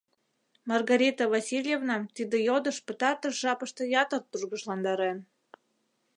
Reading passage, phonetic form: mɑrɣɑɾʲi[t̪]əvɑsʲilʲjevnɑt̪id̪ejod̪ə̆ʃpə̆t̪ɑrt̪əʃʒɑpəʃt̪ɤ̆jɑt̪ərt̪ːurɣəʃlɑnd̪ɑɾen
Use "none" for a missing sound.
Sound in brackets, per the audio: t̪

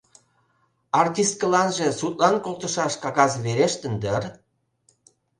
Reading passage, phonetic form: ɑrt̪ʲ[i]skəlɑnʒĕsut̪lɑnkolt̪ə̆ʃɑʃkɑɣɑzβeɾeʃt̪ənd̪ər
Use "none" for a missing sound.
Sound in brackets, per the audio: i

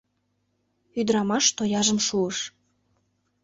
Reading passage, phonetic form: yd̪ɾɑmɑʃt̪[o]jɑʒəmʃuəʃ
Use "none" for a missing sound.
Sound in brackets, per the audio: o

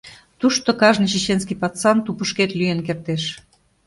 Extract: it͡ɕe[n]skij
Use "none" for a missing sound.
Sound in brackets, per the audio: n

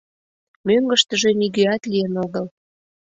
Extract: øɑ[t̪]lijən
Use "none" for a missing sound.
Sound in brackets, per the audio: t̪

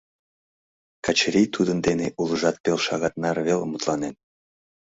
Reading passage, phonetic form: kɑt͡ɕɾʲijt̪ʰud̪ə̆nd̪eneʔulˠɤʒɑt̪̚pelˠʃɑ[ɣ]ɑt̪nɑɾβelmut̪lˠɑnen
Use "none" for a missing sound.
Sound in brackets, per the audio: ɣ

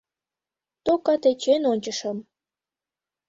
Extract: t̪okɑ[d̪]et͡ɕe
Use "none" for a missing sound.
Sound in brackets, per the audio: t̪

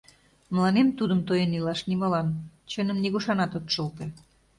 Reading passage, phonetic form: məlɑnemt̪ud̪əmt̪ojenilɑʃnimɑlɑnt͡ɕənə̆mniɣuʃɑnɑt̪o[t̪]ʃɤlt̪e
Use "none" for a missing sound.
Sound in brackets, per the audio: t̪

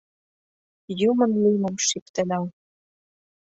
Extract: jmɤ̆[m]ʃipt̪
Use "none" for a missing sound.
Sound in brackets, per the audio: m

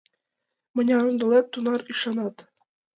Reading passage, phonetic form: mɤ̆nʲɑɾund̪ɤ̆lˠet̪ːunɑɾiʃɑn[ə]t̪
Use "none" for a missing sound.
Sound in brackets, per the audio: ɑ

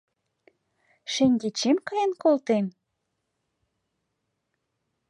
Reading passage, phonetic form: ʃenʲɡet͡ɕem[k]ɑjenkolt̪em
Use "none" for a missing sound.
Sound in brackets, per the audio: k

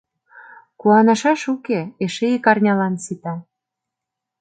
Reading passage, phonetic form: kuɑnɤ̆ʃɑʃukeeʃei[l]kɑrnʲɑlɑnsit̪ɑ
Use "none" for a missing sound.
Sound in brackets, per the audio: none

